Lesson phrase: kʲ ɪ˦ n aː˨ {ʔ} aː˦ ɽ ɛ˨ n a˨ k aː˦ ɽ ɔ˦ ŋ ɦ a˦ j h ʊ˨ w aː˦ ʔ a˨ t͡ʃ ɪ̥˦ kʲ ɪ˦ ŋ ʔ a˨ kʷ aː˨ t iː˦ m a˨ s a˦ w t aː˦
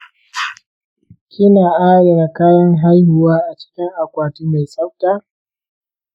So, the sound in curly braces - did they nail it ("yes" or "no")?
yes